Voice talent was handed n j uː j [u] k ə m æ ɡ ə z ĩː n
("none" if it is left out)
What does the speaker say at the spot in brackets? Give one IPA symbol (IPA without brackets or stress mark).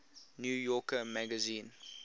ɔ